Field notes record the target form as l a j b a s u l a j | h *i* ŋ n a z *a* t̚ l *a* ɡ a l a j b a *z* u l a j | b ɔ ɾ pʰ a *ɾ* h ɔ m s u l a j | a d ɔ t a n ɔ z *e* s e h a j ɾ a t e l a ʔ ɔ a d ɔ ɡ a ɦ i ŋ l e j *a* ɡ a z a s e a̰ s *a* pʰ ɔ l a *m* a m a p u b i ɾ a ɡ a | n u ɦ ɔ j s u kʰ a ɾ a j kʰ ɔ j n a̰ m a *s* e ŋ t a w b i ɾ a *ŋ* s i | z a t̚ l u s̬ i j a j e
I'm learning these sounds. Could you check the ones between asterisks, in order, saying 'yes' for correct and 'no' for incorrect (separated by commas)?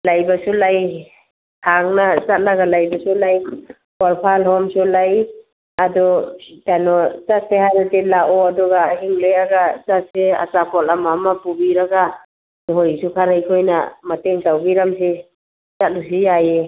no, yes, yes, no, no, no, yes, yes, yes, no, no